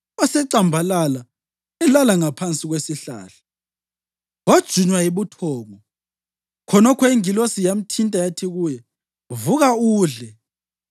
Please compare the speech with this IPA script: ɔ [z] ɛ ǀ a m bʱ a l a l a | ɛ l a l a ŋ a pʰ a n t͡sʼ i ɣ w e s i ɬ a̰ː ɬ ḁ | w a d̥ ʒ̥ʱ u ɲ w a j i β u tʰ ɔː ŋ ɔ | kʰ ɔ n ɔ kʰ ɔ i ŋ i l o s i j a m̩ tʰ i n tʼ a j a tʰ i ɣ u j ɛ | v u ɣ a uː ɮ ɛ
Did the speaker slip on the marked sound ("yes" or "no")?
yes